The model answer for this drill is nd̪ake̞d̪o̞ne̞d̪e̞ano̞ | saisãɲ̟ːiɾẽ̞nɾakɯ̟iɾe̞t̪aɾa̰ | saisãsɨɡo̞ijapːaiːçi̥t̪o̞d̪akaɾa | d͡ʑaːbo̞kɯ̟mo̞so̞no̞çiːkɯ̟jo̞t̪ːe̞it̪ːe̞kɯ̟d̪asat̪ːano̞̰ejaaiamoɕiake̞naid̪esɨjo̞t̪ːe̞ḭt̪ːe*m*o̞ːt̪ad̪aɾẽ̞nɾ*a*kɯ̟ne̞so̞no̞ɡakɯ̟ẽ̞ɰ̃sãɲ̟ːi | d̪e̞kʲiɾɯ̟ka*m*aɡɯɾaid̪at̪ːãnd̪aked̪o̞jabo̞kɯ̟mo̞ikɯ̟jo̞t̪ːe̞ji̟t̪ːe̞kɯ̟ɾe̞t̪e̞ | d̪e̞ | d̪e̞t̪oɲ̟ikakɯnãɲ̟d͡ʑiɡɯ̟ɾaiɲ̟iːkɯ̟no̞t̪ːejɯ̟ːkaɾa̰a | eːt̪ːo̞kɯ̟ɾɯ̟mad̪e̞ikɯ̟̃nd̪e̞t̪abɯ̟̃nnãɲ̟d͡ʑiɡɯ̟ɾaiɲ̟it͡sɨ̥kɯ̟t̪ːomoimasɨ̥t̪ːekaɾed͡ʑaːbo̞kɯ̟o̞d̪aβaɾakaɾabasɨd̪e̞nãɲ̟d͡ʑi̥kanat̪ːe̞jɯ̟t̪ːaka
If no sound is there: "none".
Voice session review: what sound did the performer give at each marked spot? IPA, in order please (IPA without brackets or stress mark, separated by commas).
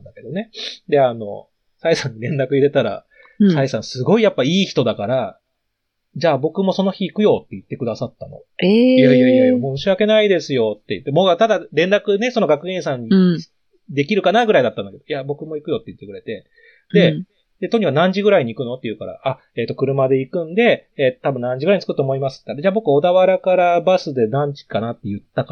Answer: m, a, n